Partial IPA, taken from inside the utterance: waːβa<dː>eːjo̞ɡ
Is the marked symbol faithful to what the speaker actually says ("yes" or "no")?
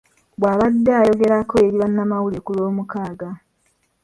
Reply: yes